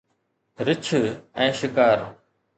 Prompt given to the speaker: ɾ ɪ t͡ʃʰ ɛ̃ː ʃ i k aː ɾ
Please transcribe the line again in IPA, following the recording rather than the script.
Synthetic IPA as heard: ɾ ɪ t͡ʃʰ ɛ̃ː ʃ ɪ k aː ɾ